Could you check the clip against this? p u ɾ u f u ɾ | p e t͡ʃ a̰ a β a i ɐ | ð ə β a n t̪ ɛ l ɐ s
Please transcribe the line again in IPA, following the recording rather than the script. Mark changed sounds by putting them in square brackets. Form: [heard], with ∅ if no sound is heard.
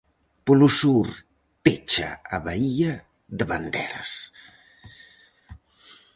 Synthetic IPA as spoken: p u [l] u [s] u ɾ | p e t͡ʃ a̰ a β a i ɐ | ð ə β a n [d̪] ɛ [ɾ] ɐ s